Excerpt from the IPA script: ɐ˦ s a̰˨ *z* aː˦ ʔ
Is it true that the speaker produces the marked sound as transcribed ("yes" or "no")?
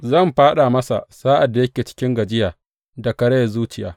no